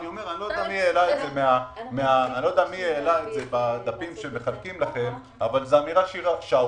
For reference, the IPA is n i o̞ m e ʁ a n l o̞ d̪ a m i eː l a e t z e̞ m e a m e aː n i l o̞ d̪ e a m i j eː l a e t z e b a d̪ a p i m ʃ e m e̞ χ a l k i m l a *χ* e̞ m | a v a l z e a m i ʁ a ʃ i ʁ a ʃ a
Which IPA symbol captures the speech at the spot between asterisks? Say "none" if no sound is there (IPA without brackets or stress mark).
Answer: χ